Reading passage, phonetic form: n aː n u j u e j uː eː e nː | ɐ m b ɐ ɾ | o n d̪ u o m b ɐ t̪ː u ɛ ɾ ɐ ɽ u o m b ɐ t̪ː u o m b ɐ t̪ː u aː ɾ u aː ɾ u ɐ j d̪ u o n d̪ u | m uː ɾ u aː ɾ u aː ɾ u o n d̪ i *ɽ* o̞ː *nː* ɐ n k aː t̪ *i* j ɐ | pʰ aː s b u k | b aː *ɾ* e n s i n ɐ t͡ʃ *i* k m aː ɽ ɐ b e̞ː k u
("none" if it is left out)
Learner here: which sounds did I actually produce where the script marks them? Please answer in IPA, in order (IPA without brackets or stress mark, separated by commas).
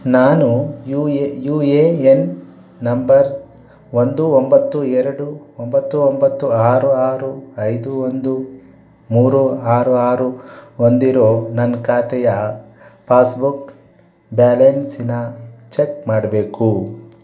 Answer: ɾ, n, ɛ, l, e